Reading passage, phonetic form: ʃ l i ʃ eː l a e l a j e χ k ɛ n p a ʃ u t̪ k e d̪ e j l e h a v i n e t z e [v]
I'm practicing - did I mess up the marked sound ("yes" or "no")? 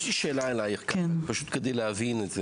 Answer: yes